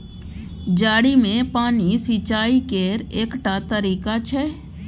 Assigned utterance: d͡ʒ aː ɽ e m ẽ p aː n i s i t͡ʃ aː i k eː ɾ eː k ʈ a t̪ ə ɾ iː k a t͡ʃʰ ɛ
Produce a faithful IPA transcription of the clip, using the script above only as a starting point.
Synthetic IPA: d͡ʒ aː ɽ i m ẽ p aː n i s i t͡ʃ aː i k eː ɾ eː k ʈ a t̪ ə ɾ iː k a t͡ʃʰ ɛ